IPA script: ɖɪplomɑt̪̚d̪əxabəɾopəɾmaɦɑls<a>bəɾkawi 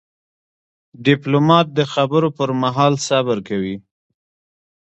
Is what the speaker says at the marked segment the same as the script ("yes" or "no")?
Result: yes